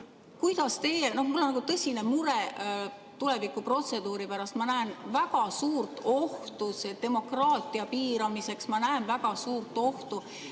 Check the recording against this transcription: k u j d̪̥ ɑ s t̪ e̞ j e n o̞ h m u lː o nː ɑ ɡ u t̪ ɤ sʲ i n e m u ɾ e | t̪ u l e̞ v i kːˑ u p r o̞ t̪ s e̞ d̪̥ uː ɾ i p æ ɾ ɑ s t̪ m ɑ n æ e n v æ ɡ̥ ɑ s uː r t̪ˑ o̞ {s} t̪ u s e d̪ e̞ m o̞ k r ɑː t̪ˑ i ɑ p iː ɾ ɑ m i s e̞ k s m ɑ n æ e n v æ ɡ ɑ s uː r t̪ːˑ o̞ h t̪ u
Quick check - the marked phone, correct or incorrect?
incorrect